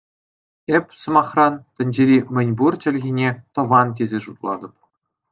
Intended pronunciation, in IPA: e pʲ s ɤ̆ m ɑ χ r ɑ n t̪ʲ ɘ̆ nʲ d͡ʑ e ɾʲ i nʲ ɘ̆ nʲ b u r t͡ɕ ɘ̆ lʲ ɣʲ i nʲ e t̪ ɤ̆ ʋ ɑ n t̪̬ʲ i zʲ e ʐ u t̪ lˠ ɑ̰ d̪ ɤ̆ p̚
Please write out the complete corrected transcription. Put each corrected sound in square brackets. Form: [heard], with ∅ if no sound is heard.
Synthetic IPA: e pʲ s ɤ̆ m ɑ χ r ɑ n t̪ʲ ɘ̆ nʲ d͡ʑ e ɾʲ i [mʲ] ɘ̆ nʲ b u r t͡ɕ ɘ̆ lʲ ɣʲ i nʲ e t̪ ɤ̆ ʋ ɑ n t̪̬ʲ [e] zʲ e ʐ u t̪ lˠ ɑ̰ d̪ ɤ̆ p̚